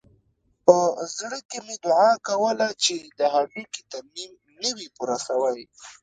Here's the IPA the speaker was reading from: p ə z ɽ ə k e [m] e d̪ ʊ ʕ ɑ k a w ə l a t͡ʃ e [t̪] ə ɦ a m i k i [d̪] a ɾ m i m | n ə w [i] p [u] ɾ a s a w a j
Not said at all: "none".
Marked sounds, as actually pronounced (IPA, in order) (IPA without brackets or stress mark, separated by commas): m, d̪, t̪, i, u